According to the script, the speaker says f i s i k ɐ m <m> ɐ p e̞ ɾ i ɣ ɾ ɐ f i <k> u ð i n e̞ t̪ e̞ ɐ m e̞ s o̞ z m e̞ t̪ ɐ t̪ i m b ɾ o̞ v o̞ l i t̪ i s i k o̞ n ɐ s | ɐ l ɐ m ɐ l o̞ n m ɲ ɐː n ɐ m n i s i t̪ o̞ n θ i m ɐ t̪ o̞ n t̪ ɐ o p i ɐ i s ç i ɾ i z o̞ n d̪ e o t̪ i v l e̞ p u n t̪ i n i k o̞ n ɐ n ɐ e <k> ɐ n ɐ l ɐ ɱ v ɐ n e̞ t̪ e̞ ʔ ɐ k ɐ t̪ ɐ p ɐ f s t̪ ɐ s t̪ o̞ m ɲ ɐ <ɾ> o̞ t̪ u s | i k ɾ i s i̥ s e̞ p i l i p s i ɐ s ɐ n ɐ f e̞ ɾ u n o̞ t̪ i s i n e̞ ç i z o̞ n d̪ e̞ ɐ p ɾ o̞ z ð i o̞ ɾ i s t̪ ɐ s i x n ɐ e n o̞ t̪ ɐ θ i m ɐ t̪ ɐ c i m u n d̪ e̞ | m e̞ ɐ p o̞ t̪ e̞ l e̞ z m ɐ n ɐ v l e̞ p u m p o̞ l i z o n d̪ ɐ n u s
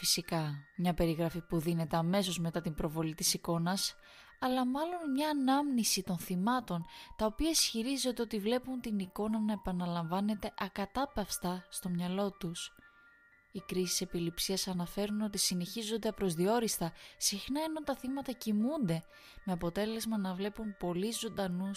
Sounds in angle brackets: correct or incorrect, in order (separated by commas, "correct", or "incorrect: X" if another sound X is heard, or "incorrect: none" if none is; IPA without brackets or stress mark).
incorrect: ɲ, incorrect: p, incorrect: p, incorrect: l